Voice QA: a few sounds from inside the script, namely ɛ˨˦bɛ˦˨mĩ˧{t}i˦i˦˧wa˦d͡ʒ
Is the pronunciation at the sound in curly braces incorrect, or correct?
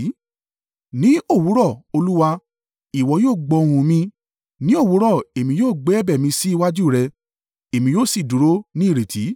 incorrect